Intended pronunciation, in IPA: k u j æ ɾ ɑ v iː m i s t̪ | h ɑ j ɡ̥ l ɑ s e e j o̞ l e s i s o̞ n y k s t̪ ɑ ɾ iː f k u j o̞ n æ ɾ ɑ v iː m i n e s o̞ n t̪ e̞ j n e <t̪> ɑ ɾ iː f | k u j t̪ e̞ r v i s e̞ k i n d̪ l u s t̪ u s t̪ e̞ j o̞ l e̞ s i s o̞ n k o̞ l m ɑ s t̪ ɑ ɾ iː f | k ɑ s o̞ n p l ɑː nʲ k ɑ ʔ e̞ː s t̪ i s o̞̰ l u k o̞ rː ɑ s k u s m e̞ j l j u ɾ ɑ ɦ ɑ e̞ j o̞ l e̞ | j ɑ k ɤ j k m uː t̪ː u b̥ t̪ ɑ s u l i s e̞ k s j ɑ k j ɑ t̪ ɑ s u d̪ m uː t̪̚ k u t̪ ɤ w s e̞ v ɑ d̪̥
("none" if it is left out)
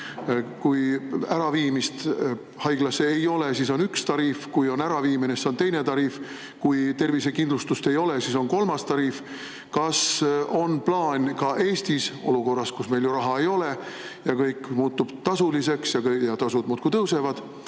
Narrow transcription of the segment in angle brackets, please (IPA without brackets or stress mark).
t̪